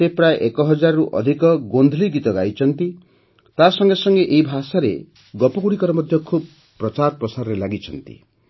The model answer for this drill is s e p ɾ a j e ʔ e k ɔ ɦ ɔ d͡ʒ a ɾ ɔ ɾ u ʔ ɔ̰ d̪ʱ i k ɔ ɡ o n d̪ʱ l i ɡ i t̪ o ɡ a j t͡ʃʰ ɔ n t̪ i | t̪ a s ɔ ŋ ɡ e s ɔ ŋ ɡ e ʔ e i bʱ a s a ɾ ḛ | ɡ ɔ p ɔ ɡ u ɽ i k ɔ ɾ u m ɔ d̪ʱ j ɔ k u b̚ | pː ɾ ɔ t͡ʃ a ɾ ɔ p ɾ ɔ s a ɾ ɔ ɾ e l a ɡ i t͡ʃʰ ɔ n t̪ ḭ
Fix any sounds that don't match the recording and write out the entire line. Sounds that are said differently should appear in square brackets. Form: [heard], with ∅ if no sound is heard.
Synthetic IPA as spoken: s e p ɾ a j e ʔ e k ɔ ɦ ɔ d͡ʒ a ɾ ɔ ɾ u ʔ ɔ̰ d̪ʱ i k ɔ ɡ o n d̪ʱ l i ɡ i t̪ [ɔ] ɡ a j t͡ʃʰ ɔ n t̪ i | t̪ a s ɔ ŋ ɡ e s ɔ ŋ ɡ e ʔ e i bʱ a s a ɾ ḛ | ɡ ɔ p ɔ ɡ u ɽ i k ɔ ɾ [ɔ] m ɔ d̪ʱ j ɔ [kʰ] u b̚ | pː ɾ ɔ t͡ʃ a ɾ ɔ p ɾ ɔ s a ɾ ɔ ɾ e l a ɡ i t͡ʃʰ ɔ n t̪ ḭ